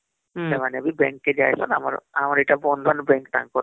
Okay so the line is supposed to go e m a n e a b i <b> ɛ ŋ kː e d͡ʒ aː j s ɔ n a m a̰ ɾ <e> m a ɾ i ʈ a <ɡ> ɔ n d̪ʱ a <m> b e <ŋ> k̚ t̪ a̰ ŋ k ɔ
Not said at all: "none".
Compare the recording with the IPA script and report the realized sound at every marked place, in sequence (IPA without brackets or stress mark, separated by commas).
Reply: b, a, b, n, ŋ